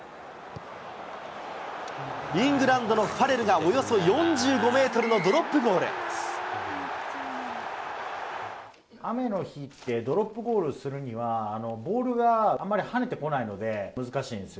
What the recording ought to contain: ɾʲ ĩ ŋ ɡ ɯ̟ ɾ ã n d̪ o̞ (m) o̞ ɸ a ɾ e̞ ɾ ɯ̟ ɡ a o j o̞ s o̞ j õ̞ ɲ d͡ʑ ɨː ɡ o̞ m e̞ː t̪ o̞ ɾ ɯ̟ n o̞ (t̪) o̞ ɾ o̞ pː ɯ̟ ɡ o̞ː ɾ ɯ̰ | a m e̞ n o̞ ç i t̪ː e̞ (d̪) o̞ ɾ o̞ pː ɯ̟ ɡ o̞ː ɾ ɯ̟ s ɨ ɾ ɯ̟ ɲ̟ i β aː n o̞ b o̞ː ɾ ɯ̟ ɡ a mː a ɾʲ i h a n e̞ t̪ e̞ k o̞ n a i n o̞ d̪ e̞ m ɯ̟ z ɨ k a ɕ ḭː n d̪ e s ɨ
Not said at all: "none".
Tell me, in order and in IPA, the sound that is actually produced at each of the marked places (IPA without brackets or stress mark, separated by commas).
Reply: n, d̪, d̪